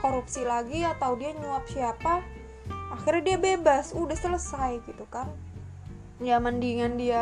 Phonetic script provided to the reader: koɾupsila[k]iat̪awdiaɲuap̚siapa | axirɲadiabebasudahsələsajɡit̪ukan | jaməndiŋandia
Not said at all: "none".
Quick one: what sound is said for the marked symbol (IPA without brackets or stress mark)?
ɡ